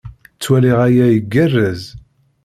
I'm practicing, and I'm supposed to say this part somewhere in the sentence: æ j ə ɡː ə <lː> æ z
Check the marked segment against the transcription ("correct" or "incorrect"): incorrect